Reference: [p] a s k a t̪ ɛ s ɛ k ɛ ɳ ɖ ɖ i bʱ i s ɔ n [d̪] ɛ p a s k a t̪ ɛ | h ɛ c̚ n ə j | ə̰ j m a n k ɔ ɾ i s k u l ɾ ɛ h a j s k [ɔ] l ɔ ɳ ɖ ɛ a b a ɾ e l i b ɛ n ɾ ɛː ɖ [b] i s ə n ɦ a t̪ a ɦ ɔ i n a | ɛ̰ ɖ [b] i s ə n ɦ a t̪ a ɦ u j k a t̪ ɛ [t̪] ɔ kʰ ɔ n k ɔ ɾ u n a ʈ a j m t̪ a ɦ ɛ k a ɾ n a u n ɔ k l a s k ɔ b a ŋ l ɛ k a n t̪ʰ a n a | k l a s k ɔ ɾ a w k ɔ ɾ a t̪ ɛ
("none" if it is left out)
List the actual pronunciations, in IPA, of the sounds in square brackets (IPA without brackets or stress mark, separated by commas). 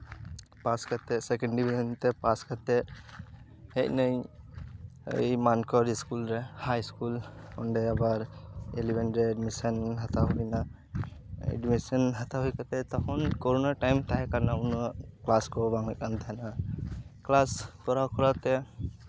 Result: p, t̪, u, m, m, t̪